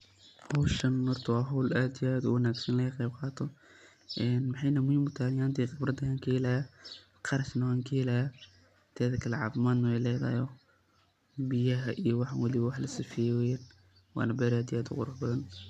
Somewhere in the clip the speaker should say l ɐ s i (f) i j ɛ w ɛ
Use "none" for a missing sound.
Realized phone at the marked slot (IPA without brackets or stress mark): f